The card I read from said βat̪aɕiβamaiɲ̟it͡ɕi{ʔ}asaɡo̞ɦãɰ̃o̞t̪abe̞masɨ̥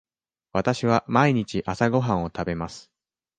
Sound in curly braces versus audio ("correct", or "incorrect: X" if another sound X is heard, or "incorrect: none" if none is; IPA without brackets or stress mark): correct